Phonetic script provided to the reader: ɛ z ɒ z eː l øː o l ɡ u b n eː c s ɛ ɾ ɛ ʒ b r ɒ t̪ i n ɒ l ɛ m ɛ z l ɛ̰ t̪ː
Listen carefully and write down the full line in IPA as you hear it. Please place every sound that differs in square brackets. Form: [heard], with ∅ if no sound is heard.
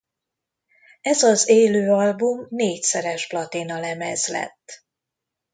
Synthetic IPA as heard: ɛ z ɒ z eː l øː [ɒ] l [b] u [m] n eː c s ɛ ɾ ɛ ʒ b [l] ɒ t̪ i n ɒ l ɛ m ɛ z l ɛ̰ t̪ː